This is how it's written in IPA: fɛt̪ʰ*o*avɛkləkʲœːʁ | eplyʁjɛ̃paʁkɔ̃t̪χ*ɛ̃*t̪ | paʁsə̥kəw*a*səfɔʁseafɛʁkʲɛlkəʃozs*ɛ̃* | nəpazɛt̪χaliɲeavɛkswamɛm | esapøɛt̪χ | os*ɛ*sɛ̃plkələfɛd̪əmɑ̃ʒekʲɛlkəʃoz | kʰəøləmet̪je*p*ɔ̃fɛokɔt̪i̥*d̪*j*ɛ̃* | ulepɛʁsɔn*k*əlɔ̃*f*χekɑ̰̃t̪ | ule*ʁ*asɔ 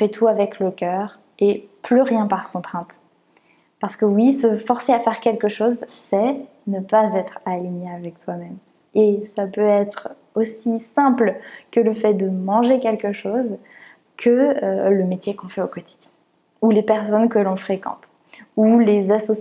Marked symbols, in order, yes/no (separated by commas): no, yes, no, no, no, no, yes, yes, yes, yes, no